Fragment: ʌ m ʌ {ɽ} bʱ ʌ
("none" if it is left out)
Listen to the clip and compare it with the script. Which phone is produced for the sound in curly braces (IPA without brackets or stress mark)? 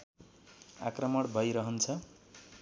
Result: ɽ